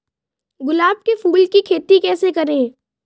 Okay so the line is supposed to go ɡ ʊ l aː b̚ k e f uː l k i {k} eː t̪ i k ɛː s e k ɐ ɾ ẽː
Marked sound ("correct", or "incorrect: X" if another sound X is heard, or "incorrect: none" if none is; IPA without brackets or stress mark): incorrect: kʰ